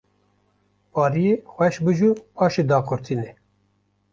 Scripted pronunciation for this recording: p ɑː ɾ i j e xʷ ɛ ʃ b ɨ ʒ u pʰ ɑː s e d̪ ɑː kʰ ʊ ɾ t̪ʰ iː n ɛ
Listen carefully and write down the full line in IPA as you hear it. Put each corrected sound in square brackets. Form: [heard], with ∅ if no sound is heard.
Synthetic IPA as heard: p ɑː ɾ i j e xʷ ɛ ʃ b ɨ ʒ u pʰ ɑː [ʃ] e d̪ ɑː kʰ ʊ ɾ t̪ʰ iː n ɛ